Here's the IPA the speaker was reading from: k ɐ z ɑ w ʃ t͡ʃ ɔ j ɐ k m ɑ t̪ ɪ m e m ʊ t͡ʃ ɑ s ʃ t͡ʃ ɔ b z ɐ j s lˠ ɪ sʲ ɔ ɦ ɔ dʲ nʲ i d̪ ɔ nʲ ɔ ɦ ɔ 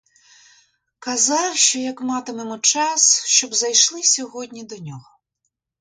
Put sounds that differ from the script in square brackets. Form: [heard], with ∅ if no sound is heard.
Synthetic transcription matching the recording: k ɐ z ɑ w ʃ t͡ʃ ɔ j ɐ k m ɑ t̪ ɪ m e m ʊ t͡ʃ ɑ s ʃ t͡ʃ ɔ b z ɐ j [ʃ] lˠ ɪ sʲ ɔ ɦ ɔ dʲ nʲ i d̪ ɔ nʲ ɔ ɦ ɔ